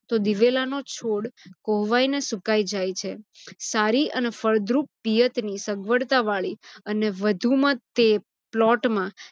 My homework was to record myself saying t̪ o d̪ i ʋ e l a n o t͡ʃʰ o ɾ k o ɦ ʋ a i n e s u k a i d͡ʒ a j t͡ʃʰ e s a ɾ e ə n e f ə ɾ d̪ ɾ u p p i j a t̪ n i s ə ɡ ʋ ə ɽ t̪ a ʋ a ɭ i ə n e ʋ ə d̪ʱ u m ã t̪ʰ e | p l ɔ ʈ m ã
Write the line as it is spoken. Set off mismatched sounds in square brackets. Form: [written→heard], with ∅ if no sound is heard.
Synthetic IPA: t̪ o d̪ i ʋ e l a n o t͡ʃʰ o [ɾ→ɽ] k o ɦ ʋ a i n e s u k a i d͡ʒ a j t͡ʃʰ e s a ɾ [e→i] ə n e f ə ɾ d̪ ɾ u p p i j [a→ə] t̪ n i s ə ɡ ʋ ə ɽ t̪ a ʋ a ɭ i ə n e ʋ ə d̪ʱ u m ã [t̪ʰ→t̪] e | p l ɔ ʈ m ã

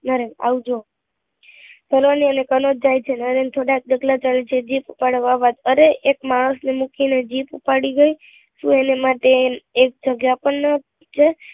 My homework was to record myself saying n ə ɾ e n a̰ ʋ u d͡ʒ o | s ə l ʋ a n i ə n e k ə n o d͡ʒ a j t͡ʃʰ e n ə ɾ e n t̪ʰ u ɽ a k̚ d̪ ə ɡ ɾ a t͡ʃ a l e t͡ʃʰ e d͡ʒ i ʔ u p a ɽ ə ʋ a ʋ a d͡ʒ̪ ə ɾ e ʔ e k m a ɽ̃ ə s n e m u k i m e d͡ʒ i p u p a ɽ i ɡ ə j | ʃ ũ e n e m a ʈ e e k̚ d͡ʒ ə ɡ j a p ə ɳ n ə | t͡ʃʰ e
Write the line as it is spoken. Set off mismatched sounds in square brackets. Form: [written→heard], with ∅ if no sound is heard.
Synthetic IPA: n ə ɾ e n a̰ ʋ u d͡ʒ o | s ə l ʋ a n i ə n e k ə n o d͡ʒ a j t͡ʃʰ e n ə ɾ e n t̪ʰ [u→o] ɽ a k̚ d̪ ə ɡ [ɾ→l] a t͡ʃ a l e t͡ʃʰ e d͡ʒ i [ʔ→p] u p a ɽ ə ʋ a ʋ a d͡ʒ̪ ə ɾ e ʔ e k m a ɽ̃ ə s n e m u k i [m→n] e d͡ʒ i p u p a ɽ i ɡ ə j | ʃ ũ e n e m a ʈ e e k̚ d͡ʒ ə ɡ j a p ə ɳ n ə | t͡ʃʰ e

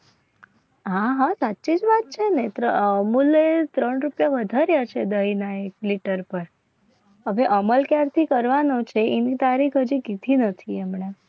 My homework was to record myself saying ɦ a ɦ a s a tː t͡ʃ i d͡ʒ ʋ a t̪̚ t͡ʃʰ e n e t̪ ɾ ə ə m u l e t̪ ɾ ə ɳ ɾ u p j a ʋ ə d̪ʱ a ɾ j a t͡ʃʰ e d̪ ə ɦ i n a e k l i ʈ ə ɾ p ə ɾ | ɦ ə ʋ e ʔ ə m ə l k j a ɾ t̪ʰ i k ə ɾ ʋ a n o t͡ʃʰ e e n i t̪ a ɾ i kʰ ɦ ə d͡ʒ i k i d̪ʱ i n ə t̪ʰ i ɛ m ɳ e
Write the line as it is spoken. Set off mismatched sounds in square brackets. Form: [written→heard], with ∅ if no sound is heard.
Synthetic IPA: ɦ a ɦ a s a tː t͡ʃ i d͡ʒ ʋ a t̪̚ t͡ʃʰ e n e t̪ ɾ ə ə m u l e t̪ ɾ ə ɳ ɾ u p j a ʋ ə d̪ʱ a ɾ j a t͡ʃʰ e d̪ ə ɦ i n a e k l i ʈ ə ɾ p ə ɾ | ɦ ə ʋ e ʔ ə m ə l k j a ɾ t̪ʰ i k ə ɾ ʋ a n o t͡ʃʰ e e n i t̪ a ɾ i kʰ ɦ ə d͡ʒ i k i d̪ʱ i n ə t̪ʰ i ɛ m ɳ e

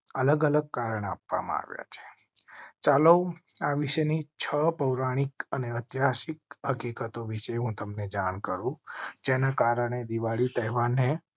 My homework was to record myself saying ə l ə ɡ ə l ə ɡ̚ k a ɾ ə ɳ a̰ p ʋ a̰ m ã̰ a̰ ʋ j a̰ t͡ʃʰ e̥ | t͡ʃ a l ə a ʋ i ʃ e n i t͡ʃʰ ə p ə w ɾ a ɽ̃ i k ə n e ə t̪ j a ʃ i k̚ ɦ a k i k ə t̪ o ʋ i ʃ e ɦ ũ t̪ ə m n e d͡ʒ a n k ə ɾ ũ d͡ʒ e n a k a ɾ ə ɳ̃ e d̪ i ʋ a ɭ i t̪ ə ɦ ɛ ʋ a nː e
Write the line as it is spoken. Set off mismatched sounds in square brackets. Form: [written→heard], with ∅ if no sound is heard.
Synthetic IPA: ə l ə ɡ ə l ə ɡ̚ k a ɾ ə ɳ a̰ p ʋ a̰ m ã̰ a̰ ʋ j a̰ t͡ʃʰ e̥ | t͡ʃ a l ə a ʋ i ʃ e n i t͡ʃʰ ə p ə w ɾ a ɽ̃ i k ə n e ə t̪ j a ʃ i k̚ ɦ [a→ə] k i k ə t̪ o ʋ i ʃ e ɦ ũ t̪ ə m n e d͡ʒ a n k ə ɾ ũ d͡ʒ e n a k a ɾ ə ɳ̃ e d̪ i ʋ a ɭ i t̪ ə ɦ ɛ ʋ a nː e

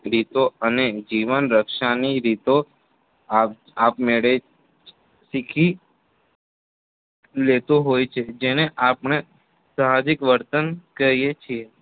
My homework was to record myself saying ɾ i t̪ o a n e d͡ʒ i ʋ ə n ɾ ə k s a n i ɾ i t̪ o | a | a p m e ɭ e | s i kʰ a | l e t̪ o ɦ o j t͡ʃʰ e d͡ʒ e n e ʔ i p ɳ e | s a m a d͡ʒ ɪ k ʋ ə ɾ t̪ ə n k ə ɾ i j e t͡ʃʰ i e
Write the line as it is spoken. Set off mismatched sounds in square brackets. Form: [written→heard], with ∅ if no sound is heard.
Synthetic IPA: ɾ i t̪ o [a→ə] n e d͡ʒ i ʋ ə n ɾ ə k [s→ʃ] a n i ɾ i t̪ o | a | a p m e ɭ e | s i kʰ [a→i] | l e t̪ o ɦ o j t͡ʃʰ e d͡ʒ e n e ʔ [i→a] p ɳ e | s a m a d͡ʒ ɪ k ʋ ə ɾ t̪ ə n k ə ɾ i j e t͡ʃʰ i e

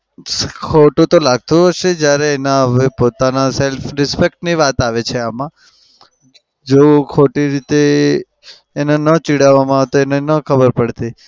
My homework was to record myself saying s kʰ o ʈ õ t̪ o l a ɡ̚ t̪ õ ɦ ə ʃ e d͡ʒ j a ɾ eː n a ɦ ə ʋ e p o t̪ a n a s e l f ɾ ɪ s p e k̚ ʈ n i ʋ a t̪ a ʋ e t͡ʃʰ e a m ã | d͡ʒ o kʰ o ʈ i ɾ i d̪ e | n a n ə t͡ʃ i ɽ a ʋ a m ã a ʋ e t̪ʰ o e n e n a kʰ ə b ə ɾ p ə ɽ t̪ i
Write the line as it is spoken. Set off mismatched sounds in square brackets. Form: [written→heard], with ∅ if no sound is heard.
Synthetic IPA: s kʰ o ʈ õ t̪ o l a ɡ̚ t̪ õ ɦ ə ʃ e d͡ʒ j a ɾ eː n a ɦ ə ʋ e p o t̪ a n a s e l f ɾ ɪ s p e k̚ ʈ n i ʋ a t̪ a ʋ e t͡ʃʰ e a m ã | d͡ʒ o kʰ o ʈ i ɾ i [d̪→t̪] e | n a n ə t͡ʃ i ɽ a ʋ a m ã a ʋ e [t̪ʰ→t̪] o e n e n [a→ə] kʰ ə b ə ɾ p ə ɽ t̪ i

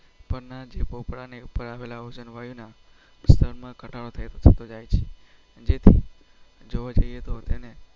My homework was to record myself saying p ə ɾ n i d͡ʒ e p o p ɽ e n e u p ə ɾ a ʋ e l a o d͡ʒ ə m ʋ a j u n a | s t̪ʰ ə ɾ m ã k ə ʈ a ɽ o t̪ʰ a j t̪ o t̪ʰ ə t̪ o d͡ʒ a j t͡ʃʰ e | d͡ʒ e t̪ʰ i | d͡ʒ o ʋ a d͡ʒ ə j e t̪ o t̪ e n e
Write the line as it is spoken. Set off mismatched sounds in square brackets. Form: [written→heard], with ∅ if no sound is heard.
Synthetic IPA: p ə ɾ n [i→a] d͡ʒ e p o p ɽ [e→a] n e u p ə ɾ a ʋ e l a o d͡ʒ ə [m→n] ʋ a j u n a | s t̪ʰ ə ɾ m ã k ə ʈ a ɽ o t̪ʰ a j t̪ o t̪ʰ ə t̪ o d͡ʒ a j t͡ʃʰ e | d͡ʒ e t̪ʰ i | d͡ʒ o ʋ a d͡ʒ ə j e t̪ o t̪ e n e

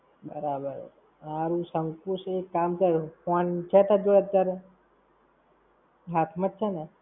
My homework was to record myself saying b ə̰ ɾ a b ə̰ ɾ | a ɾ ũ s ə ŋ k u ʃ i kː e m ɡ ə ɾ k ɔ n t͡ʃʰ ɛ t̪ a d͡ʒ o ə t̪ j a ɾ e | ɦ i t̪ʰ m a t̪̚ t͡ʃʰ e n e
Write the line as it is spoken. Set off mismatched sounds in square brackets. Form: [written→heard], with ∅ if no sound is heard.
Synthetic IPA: b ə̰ ɾ a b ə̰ ɾ | a ɾ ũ s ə ŋ k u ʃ [i→e] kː [e→a] m [ɡ→k] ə ɾ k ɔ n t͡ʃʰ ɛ t̪ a d͡ʒ o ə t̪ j a ɾ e | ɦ [i→a] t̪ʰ m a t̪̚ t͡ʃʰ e n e

